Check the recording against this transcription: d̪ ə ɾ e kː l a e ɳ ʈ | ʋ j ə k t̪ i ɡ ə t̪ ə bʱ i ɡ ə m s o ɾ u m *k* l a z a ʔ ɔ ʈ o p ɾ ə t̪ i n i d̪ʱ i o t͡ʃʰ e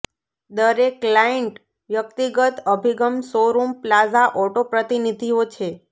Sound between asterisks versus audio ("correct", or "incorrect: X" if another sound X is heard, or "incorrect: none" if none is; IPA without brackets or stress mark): incorrect: p